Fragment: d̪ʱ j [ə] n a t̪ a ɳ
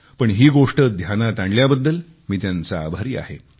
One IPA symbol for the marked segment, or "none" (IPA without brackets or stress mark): a